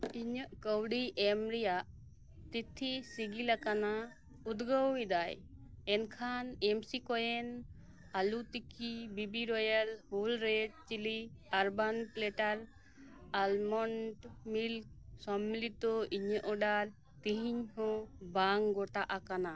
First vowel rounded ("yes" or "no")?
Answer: no